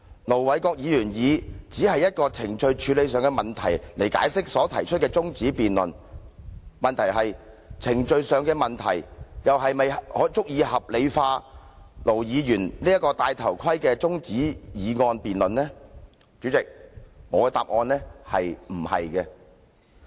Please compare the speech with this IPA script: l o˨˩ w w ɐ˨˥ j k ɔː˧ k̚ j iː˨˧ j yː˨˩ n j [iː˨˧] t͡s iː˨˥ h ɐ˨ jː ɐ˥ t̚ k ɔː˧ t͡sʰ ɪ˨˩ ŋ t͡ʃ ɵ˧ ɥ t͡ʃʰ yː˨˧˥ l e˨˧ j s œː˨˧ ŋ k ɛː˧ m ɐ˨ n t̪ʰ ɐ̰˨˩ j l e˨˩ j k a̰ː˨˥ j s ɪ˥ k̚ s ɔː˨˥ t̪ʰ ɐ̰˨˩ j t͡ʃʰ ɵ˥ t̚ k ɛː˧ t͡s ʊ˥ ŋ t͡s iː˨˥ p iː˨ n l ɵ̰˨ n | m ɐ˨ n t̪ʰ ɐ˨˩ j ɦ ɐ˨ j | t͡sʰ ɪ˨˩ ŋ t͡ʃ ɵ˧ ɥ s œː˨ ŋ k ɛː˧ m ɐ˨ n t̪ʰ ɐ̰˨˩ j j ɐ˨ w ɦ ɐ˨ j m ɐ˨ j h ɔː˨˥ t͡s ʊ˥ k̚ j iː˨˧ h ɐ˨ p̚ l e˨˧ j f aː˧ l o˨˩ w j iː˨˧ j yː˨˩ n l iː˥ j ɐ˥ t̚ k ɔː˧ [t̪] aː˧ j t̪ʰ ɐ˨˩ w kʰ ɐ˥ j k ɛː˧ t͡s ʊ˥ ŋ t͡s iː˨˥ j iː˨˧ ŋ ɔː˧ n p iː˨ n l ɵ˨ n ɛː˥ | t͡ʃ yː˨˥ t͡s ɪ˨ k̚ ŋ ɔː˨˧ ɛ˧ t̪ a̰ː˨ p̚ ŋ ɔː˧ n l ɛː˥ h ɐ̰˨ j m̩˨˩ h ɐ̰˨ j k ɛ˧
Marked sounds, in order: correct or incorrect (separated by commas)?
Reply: correct, correct